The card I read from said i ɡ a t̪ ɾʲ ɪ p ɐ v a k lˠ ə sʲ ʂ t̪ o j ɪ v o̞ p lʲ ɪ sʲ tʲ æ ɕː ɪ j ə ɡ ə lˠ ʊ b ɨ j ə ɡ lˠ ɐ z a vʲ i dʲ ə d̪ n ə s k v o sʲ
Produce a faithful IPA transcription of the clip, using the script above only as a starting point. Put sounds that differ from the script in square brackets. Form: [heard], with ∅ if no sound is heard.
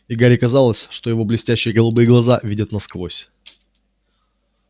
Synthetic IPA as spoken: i ɡ a [∅] ɾʲ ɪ [k] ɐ [z] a [∅] lˠ ə sʲ ʂ t̪ o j ɪ v o̞ [b] lʲ ɪ sʲ tʲ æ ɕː ɪ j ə ɡ ə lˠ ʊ b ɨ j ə ɡ lˠ ɐ z a vʲ i dʲ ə [t̪] n [ɐ] s k v o sʲ